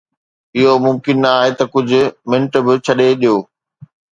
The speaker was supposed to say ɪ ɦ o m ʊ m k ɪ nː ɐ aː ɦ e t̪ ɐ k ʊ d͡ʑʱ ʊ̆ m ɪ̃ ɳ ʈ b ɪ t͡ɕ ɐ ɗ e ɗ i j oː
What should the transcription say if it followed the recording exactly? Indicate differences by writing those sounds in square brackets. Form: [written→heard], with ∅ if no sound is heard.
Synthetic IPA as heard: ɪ ɦ o m ʊ m k ɪ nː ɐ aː ɦ e t̪ ɐ k ʊ d͡ʑʱ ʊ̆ m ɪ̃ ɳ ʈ b ɪ [t͡ɕ→t͡ɕʰ] ɐ ɗ e ɗ i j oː